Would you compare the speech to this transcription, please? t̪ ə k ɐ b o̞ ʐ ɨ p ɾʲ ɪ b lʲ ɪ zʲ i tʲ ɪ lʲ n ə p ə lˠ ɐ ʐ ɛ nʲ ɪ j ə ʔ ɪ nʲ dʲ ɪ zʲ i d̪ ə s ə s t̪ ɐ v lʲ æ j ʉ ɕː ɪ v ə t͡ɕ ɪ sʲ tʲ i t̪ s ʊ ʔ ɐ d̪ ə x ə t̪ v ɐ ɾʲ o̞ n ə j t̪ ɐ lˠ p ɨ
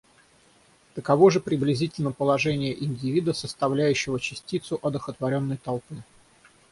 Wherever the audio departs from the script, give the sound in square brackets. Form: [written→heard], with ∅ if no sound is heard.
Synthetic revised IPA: t̪ ə k ɐ [b→v] o̞ ʐ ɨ p ɾʲ ɪ b lʲ ɪ zʲ i tʲ ɪ lʲ n ə p ə lˠ ɐ ʐ ɛ nʲ ɪ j ə ʔ ɪ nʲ dʲ ɪ [zʲ→vʲ] i d̪ ə s ə s t̪ ɐ v lʲ æ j ʉ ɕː ɪ v ə t͡ɕ ɪ sʲ tʲ i t̪ s ʊ ʔ ɐ d̪ ə x ə t̪ v ɐ ɾʲ o̞ [n→nː] ə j t̪ ɐ lˠ p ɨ